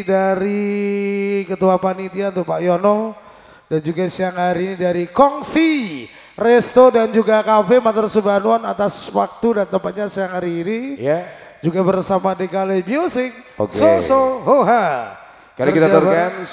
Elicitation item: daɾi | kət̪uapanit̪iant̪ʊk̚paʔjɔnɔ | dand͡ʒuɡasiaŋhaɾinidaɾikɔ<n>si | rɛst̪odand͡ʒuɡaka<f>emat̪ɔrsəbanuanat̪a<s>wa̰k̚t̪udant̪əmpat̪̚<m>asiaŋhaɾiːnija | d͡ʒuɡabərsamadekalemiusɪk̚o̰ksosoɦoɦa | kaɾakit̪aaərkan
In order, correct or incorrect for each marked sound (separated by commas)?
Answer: incorrect, correct, correct, incorrect